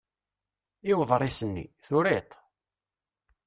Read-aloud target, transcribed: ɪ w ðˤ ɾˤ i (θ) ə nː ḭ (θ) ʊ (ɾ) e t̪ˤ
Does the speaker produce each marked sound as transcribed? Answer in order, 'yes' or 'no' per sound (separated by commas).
no, yes, yes